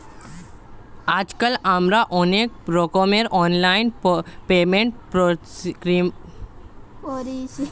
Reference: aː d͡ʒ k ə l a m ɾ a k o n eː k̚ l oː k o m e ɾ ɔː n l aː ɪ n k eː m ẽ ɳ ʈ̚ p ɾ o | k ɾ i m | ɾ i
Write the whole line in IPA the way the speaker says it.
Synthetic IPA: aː d͡ʒ k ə l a m ɾ a ʔ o n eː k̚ ɾ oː k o m e ɾ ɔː n l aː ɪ n p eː m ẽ ɳ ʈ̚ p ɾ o | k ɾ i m | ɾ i